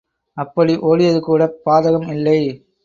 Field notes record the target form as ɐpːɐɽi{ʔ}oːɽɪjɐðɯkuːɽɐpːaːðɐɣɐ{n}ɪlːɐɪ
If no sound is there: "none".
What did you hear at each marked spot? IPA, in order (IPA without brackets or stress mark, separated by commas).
ʔ, m